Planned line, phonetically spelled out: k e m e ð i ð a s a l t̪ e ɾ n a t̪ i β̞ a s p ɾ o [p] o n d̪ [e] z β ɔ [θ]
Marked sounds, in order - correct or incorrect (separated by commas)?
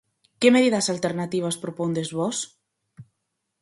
correct, correct, incorrect